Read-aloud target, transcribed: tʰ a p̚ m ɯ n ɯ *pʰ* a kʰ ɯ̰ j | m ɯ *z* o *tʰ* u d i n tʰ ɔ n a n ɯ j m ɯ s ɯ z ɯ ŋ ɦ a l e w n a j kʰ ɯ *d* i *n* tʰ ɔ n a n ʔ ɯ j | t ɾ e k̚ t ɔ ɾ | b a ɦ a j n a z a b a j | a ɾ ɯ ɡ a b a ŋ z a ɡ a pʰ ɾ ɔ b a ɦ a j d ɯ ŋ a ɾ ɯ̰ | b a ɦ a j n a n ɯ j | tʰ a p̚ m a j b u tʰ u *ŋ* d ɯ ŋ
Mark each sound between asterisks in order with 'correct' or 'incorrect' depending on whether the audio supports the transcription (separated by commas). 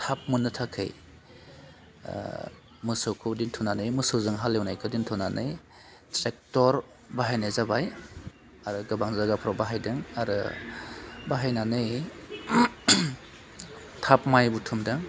incorrect, incorrect, incorrect, correct, correct, incorrect